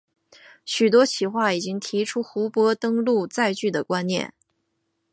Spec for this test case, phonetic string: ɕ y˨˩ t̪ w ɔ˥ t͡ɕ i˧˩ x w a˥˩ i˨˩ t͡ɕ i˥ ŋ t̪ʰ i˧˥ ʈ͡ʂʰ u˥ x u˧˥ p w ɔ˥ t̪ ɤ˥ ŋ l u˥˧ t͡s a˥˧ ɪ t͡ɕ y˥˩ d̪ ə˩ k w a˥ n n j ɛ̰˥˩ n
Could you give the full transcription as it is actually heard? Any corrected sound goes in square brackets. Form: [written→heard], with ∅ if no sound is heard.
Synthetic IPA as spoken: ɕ y˨˩ t̪ w ɔ˥ [t͡ɕ→t͡ɕʰ] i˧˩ x w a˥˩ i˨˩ t͡ɕ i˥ ŋ t̪ʰ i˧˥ ʈ͡ʂʰ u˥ x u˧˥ p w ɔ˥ t̪ ɤ˥ ŋ l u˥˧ t͡s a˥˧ ɪ t͡ɕ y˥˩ d̪ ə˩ k w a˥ n n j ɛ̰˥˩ n